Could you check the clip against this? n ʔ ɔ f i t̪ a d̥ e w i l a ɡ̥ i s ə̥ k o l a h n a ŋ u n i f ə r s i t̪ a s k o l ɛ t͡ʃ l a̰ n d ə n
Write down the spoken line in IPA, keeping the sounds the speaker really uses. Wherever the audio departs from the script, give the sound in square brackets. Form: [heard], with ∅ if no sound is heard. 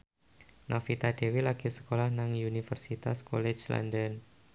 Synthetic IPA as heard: n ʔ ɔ f i t̪ a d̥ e w i l a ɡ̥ i s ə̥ k o l a h n a ŋ u n i f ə r s i t̪ a s k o l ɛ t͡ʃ l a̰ n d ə n